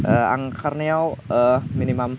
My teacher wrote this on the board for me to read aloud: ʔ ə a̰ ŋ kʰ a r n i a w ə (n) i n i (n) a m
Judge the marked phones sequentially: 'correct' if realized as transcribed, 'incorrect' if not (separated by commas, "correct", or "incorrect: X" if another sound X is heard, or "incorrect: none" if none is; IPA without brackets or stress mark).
incorrect: m, incorrect: m